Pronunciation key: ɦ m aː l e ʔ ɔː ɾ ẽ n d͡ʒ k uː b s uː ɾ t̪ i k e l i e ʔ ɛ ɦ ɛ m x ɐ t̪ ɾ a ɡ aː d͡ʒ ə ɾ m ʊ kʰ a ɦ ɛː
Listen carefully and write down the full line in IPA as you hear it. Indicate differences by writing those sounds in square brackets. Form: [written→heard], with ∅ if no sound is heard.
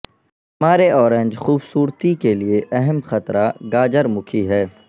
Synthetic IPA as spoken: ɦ m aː [l→ɾ] e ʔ ɔː ɾ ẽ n d͡ʒ [k→x] uː b s uː ɾ t̪ i k e l i e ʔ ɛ ɦ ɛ m x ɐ t̪ ɾ a ɡ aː d͡ʒ ə ɾ m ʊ kʰ [a→i] ɦ ɛː